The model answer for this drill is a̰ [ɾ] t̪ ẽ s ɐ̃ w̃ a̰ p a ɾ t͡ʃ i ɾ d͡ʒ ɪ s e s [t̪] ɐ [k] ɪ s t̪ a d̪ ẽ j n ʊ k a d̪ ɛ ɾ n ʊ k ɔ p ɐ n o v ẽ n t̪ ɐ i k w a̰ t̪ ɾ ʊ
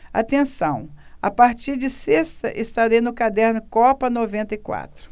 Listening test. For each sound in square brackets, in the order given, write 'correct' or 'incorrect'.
incorrect: none, correct, incorrect: ʔ

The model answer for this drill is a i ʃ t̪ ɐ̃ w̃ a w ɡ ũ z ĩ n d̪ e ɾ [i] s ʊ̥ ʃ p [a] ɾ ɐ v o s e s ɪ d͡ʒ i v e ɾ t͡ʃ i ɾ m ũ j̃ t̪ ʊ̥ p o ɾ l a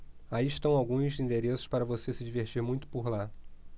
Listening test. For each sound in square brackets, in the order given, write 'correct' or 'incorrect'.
incorrect: e, correct

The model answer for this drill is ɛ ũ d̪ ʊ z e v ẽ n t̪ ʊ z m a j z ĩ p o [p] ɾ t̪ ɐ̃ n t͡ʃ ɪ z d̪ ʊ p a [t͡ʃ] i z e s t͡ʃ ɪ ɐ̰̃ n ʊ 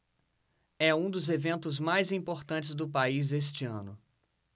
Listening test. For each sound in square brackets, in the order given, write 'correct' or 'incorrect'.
incorrect: none, incorrect: none

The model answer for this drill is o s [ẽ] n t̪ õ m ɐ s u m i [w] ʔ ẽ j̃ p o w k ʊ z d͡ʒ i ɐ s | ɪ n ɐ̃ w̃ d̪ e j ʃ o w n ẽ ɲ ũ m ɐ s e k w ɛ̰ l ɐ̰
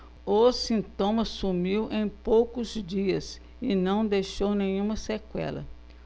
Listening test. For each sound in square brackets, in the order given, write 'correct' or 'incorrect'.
incorrect: ĩ, correct

